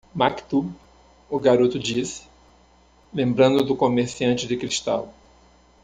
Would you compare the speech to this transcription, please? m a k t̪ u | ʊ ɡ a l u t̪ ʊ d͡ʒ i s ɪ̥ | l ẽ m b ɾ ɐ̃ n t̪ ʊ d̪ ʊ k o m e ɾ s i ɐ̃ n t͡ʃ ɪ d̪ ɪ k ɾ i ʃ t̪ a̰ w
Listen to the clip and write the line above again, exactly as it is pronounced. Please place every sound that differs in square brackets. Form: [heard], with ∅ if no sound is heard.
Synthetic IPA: m a k t̪ u | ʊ ɡ a [ɾ] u t̪ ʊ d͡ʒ i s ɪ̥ | l ẽ m b ɾ ɐ̃ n [d̪] ʊ d̪ ʊ k o m e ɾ s i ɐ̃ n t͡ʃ ɪ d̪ ɪ k ɾ i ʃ t̪ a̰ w